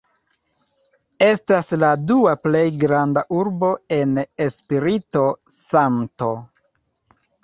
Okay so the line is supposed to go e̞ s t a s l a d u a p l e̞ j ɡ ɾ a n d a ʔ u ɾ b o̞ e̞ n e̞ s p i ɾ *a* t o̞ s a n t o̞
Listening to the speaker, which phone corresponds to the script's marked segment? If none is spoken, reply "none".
i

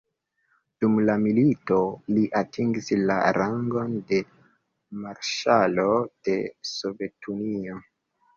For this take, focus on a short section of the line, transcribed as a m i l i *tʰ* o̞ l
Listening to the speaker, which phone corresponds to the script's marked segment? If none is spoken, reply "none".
t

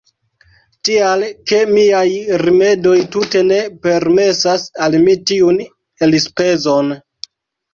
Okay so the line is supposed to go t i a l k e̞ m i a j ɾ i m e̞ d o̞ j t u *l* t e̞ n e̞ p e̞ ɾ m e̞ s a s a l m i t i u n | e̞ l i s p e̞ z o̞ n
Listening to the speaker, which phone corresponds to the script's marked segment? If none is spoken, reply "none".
none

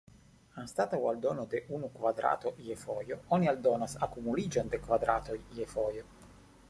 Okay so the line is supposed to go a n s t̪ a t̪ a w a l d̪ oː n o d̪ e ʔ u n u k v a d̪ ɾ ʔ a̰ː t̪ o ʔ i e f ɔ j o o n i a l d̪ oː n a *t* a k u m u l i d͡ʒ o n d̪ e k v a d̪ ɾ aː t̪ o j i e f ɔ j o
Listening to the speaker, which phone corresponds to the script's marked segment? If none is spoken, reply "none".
s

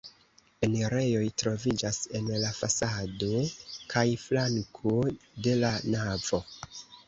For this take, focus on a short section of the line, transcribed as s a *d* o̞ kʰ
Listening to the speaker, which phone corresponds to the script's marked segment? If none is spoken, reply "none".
d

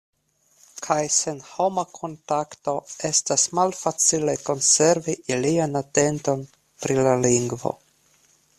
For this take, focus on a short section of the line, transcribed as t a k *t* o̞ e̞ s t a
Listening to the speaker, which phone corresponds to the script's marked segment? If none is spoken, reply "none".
t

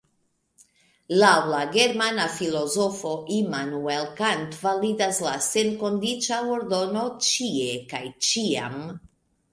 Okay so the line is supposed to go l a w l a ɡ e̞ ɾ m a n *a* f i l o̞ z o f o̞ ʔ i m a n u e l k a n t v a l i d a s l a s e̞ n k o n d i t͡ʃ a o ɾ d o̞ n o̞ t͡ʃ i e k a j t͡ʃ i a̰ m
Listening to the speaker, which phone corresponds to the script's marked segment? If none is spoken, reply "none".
a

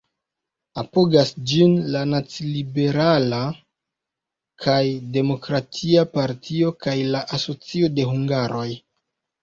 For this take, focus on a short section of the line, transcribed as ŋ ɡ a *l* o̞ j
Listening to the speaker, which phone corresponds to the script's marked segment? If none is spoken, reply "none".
ɾ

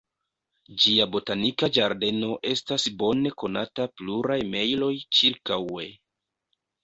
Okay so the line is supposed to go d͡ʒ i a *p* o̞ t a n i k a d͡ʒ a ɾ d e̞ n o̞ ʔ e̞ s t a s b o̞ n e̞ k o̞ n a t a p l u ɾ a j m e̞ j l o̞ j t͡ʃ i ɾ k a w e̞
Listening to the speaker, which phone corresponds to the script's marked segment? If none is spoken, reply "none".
b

